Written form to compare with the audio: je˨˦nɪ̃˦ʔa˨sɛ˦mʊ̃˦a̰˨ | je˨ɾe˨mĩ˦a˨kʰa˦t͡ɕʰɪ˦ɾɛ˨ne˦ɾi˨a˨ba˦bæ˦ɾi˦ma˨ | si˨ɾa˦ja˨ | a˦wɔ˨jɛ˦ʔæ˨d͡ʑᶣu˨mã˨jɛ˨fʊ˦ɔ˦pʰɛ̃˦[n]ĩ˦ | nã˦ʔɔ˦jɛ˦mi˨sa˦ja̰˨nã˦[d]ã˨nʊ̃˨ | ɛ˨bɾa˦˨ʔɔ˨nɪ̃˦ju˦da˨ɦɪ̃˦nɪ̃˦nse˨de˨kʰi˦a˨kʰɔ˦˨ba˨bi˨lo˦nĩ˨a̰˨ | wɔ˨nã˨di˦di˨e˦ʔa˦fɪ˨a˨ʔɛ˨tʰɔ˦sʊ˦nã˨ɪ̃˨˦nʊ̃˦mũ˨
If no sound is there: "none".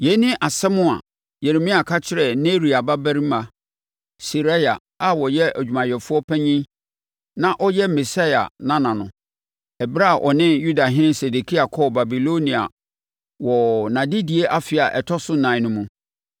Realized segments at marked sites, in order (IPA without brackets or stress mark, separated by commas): ɲ, n